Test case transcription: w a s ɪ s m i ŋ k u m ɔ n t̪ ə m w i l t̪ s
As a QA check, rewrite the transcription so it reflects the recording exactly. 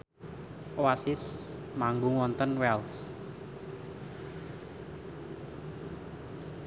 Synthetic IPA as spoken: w a s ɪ s m a ŋ ɡ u ŋ ɔ n t̪ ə n w ɛ l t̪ s

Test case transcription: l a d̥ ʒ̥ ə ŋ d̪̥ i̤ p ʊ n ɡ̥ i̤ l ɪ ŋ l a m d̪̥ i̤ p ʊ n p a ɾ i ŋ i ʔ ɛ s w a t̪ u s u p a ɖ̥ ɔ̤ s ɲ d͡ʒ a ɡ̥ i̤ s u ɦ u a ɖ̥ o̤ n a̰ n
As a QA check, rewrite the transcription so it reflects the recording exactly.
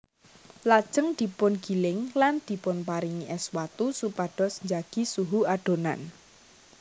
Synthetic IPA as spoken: l a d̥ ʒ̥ ə ŋ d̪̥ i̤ p ʊ n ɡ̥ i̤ l ɪ ŋ l a n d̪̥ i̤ p ʊ n p a ɾ i ŋ i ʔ ɛ s w a t̪ u s u p a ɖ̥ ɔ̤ s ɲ d͡ʒ a ɡ̥ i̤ s u ɦ u a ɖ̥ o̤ n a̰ n

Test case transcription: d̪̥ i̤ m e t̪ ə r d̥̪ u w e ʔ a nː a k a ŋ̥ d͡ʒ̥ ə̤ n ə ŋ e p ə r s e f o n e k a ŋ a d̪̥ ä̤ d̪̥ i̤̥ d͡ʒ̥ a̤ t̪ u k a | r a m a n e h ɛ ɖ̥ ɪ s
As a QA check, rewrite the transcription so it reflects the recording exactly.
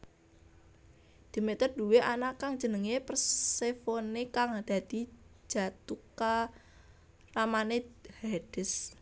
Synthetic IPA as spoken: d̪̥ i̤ m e t̪ ə r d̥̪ u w e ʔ a n a k a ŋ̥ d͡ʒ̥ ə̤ n ə ŋ e p ə r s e f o n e k a ŋ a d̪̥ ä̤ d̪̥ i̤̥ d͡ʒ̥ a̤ t̪ u k a | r a m a n e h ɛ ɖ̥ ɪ s

